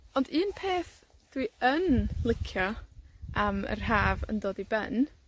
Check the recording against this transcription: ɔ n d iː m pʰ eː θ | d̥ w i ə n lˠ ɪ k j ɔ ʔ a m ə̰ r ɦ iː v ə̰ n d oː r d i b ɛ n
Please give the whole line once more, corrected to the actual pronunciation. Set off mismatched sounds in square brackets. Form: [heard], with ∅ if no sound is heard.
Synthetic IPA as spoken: ɔ n d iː [n] pʰ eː θ | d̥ w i ə n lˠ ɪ [kʰ] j ɔ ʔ a m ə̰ r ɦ [aː] v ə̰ n d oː [∅] d i b ɛ n